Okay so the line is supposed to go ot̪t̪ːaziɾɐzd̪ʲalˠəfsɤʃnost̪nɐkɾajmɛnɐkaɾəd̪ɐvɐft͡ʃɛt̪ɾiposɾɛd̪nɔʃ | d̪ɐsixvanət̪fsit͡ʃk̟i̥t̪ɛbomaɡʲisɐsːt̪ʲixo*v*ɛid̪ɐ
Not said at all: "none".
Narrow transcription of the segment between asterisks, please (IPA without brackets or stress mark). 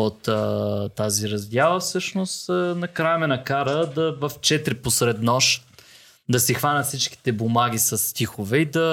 v